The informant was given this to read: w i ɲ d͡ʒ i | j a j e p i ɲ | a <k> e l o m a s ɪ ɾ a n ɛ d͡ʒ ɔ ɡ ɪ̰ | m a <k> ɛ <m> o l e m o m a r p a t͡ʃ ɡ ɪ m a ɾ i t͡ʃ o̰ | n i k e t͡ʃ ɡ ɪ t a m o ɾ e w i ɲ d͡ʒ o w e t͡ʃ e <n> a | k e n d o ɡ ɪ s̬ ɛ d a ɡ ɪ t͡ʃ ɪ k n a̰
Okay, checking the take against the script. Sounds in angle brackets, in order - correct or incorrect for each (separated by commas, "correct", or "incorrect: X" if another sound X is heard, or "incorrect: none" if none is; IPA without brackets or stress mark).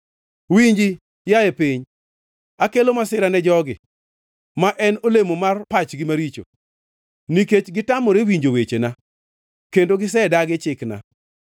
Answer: correct, incorrect: ʔ, incorrect: n, correct